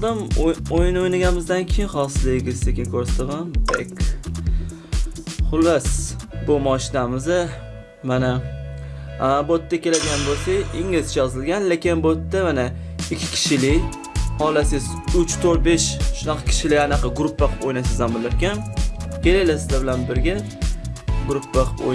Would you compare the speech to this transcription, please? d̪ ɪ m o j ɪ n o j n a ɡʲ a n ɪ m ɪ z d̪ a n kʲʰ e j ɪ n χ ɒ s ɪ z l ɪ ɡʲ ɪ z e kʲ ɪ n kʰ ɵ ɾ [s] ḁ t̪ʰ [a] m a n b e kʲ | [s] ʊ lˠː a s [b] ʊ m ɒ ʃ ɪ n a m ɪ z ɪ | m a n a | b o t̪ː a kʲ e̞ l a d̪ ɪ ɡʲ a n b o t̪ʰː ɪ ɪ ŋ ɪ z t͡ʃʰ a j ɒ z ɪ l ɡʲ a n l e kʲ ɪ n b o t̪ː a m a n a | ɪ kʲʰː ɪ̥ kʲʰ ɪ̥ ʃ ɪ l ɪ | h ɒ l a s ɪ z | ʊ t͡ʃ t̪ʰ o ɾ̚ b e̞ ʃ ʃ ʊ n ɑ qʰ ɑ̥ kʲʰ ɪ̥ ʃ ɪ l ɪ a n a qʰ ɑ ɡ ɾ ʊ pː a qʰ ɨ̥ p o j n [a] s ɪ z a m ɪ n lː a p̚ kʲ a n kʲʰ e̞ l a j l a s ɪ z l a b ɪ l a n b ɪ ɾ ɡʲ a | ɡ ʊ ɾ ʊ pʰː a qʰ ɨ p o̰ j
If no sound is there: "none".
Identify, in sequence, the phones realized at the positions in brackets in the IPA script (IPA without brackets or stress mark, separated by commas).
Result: s, a, χ, b, a